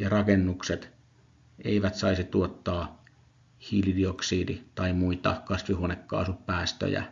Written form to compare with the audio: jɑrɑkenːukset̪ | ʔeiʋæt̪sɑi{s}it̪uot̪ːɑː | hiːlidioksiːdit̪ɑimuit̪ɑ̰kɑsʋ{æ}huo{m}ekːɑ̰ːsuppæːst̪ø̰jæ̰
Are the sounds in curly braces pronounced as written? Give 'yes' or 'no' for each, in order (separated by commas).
yes, no, no